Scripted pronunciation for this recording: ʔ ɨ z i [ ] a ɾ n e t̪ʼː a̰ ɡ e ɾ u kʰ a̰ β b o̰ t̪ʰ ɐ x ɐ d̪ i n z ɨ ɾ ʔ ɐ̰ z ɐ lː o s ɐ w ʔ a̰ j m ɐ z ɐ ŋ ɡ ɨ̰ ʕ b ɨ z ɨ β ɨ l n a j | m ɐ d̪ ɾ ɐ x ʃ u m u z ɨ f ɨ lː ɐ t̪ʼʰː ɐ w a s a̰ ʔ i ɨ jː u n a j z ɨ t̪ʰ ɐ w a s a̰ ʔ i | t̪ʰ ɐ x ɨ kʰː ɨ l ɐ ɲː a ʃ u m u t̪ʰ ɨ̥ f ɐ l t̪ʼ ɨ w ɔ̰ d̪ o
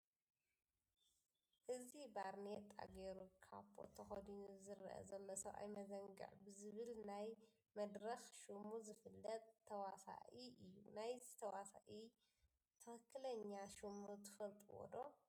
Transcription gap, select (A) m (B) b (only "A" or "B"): B